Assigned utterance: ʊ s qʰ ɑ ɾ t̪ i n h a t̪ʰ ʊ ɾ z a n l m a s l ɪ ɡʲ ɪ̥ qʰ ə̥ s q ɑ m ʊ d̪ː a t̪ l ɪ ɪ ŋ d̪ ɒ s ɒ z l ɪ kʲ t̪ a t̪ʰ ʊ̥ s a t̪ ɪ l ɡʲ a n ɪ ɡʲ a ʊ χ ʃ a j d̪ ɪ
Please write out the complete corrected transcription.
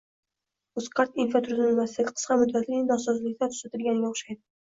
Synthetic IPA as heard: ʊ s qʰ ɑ ɾ t̪ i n f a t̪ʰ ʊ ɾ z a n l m a s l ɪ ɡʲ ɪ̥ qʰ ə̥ s q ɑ m ʊ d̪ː a t̪ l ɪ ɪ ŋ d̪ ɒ s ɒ z l ɪ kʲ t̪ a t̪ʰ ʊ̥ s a t̪ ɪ l ɡʲ a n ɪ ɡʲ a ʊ χ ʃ a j d̪ ɪ